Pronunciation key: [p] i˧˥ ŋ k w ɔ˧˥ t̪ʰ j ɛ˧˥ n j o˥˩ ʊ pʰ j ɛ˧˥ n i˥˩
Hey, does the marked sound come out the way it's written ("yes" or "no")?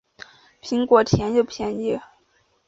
no